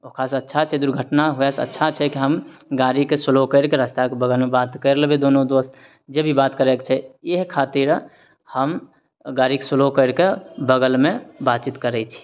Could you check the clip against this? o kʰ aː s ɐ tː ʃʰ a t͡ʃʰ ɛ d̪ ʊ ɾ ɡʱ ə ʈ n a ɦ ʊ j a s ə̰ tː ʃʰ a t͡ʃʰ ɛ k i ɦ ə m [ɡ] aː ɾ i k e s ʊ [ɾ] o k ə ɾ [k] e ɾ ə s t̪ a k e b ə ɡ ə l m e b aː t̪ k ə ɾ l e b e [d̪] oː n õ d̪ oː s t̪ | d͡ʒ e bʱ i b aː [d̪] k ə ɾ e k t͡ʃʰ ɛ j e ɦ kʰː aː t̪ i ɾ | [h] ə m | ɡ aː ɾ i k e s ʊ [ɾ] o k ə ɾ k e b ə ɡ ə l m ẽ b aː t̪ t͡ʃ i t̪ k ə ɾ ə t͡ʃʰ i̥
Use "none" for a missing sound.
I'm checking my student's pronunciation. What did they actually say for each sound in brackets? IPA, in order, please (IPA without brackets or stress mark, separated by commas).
ɡ, l, k, d̪, t̪, h, l